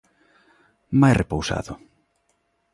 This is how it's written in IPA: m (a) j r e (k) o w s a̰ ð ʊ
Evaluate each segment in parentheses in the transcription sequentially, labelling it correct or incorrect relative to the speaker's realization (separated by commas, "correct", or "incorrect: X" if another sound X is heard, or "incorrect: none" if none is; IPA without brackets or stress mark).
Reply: correct, incorrect: p